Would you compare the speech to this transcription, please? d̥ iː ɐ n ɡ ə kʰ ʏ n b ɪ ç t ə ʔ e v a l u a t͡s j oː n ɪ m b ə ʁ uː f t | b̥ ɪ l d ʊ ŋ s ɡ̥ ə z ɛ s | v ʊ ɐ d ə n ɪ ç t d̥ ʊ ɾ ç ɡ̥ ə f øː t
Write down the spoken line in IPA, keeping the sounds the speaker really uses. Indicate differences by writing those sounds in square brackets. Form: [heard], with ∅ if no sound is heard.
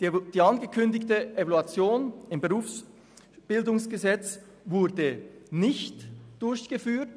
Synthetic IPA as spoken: d̥ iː [ɑ] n ɡ ə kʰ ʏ n [d] ɪ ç t ə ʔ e v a l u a t͡s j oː n ɪ m b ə ʁ uː f [s] | b̥ ɪ l d ʊ ŋ s ɡ̥ ə z ɛ [t͡s] | v ʊ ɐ d ə n ɪ ç t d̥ ʊ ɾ ç ɡ̥ ə f [yː] t